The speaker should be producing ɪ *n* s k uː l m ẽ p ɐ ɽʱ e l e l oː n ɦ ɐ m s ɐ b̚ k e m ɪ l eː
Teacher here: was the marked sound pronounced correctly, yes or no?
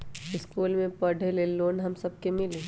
no